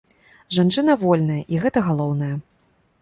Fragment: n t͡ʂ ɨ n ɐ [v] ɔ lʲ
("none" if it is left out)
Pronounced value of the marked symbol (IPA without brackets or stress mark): v